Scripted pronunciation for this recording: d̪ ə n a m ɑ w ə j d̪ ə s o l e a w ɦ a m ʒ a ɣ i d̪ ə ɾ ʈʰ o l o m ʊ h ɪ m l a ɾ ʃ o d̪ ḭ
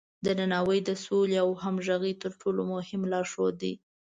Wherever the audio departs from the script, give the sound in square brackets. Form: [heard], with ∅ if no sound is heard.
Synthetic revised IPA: d̪ ə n a [n] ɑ w ə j d̪ ə s o l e a w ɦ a m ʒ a ɣ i [t̪] ə ɾ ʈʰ o l o m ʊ h ɪ m l [ɑ] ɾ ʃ o d̪ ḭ

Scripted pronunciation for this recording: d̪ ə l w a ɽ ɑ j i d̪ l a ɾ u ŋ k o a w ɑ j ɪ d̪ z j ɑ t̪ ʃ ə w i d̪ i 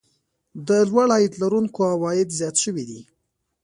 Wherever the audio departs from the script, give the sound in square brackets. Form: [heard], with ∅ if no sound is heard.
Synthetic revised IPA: d̪ ə l w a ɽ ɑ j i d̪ l a ɾ u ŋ k o a w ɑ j ɪ d̪ z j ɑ t̪ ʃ ə w i d̪ i

